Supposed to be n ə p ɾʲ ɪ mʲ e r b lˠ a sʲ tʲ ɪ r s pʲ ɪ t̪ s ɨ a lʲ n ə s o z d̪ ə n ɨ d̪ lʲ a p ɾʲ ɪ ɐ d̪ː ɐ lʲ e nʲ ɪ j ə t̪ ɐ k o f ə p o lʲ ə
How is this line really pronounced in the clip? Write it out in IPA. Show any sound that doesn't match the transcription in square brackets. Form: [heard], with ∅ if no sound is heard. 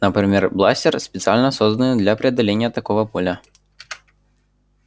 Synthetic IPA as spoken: n ə p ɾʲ ɪ mʲ e r b lˠ a sʲ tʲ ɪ r s pʲ ɪ t̪ s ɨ a lʲ n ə s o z d̪ ə n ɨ d̪ lʲ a p ɾʲ ɪ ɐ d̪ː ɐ lʲ e nʲ ɪ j ə t̪ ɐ k o [v] ə p o lʲ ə